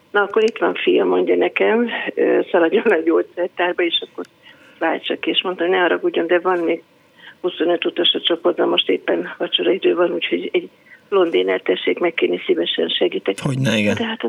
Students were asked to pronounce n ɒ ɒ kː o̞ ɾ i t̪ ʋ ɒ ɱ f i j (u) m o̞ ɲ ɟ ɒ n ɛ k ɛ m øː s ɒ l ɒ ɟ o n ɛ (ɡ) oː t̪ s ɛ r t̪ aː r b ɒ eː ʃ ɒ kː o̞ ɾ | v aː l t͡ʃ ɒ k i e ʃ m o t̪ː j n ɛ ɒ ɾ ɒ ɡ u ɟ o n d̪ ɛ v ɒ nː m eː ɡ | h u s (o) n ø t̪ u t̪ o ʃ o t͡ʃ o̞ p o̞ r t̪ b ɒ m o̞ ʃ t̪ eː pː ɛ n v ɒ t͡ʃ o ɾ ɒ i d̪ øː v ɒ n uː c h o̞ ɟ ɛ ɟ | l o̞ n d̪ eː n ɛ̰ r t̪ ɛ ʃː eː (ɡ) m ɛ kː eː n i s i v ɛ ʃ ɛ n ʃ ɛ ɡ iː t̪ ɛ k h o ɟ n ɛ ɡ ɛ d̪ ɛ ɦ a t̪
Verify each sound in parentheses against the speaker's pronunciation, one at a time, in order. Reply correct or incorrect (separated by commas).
incorrect, incorrect, correct, incorrect